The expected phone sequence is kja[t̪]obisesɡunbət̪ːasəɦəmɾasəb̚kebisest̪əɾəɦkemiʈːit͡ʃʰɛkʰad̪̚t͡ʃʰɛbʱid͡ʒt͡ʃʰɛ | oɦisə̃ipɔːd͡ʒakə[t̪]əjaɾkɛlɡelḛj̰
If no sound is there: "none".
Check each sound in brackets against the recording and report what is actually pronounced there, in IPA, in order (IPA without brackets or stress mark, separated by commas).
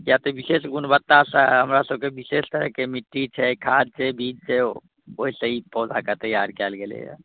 t̪, t̪